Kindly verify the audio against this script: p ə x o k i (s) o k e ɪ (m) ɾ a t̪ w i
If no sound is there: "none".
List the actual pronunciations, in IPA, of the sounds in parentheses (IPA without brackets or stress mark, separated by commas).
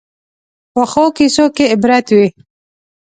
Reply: s, b